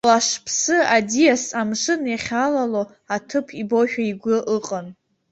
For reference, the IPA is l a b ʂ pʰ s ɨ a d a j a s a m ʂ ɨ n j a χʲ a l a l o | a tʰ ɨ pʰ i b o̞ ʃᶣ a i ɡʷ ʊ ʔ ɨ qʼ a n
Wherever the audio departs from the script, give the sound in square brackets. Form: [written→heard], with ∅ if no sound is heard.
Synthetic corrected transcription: l a [b→∅] ʂ pʰ s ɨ a d [a→i] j a s a m ʂ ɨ n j a χʲ a l a l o | a tʰ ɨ pʰ i b o̞ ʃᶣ a i ɡʷ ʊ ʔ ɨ qʼ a n

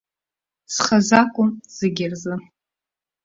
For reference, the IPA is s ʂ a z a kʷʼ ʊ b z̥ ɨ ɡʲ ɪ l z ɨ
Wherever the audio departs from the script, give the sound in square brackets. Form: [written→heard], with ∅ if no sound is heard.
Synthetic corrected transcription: s [ʂ→χ] a z a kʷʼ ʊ [b→m] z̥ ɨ ɡʲ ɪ [l→r] z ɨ

